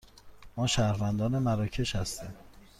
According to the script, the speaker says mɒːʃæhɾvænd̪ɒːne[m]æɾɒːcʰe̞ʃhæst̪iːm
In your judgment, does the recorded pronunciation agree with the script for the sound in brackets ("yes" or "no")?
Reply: yes